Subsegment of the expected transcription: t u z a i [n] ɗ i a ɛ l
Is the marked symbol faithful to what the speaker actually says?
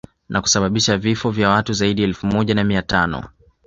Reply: no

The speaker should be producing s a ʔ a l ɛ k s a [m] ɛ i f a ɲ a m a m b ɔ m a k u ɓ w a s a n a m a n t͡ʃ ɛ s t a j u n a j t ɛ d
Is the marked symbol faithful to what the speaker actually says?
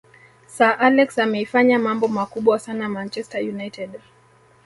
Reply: yes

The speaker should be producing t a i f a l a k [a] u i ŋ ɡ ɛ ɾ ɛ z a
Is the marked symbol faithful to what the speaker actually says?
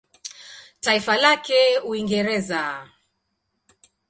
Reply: no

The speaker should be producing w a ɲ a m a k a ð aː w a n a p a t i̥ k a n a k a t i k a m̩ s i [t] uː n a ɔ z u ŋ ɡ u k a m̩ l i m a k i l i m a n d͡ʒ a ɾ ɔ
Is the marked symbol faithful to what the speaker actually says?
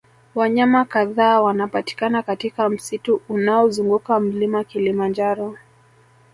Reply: yes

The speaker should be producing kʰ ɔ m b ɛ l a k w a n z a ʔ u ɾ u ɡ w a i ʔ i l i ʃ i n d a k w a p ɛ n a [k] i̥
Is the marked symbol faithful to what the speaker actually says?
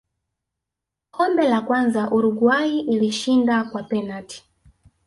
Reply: no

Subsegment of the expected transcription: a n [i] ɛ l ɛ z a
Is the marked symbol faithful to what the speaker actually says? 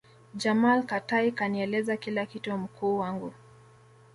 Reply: yes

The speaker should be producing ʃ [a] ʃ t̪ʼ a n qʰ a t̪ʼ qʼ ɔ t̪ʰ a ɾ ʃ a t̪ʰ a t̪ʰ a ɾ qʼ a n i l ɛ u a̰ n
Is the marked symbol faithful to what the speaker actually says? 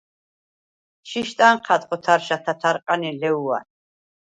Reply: no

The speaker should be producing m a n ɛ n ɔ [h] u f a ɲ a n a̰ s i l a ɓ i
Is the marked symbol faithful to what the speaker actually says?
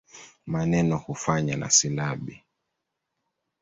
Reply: yes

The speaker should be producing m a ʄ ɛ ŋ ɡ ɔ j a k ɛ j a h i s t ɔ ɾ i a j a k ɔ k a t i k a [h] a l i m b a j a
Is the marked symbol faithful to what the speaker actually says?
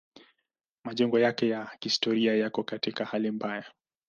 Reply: yes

